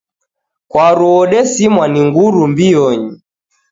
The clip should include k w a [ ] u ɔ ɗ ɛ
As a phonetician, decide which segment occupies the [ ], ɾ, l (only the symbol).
ɾ